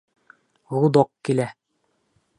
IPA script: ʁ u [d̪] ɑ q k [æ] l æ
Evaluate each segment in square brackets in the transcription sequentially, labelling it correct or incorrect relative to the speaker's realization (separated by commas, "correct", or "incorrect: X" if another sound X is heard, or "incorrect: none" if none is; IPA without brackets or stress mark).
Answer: correct, incorrect: i